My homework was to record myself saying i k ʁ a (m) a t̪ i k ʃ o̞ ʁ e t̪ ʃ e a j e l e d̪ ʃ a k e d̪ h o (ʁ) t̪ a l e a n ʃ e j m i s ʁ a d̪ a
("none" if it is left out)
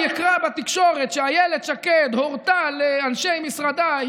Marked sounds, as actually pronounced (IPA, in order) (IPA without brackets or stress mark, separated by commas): b, ʁ